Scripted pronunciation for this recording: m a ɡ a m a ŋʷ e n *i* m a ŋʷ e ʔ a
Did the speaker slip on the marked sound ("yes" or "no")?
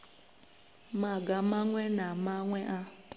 yes